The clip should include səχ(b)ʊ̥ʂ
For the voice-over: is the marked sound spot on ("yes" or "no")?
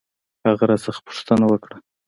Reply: no